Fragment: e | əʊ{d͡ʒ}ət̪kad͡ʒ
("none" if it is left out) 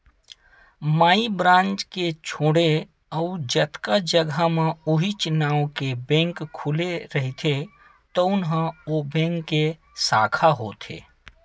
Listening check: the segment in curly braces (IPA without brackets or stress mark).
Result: d͡ʒ